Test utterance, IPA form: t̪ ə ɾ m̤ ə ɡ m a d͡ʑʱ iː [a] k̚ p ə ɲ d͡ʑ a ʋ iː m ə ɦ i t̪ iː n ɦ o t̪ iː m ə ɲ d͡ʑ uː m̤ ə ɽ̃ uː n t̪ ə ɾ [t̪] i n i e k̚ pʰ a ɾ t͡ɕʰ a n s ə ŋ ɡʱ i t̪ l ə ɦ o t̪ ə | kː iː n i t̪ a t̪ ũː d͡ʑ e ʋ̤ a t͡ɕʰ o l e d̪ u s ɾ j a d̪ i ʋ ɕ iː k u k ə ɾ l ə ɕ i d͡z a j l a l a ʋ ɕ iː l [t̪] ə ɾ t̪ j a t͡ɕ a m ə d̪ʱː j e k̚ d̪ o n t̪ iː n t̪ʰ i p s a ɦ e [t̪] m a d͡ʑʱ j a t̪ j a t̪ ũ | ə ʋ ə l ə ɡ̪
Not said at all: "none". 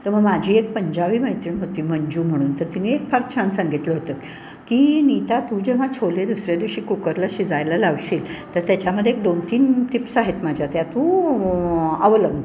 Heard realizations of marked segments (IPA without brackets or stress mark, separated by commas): e, t̪, t̪, t̪